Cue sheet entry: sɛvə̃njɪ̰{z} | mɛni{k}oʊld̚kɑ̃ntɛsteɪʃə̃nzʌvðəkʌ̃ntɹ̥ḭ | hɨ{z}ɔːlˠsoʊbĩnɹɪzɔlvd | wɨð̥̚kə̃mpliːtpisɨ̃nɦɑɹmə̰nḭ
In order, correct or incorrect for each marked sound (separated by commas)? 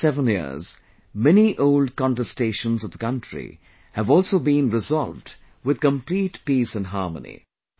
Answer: correct, incorrect, incorrect